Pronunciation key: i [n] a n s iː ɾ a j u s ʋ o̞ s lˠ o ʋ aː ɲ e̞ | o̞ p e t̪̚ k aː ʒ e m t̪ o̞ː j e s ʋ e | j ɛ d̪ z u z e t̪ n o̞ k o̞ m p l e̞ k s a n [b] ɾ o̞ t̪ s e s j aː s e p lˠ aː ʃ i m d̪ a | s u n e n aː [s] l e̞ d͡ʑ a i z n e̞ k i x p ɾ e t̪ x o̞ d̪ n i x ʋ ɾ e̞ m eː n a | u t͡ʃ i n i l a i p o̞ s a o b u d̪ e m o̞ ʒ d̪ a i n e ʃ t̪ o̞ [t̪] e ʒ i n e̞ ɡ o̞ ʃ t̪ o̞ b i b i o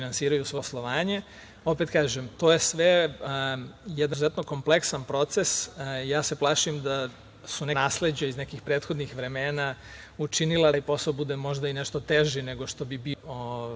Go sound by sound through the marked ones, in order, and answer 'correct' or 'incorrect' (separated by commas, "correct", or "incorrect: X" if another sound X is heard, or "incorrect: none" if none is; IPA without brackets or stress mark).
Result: correct, incorrect: p, correct, correct